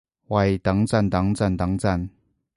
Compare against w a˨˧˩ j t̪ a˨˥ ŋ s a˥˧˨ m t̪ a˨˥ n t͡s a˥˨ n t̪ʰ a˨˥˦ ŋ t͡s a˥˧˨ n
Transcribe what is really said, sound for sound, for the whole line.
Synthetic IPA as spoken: w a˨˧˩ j t̪ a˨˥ ŋ t͡s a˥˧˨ n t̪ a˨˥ ŋ t͡s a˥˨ n t̪ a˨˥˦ ŋ t͡s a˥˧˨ n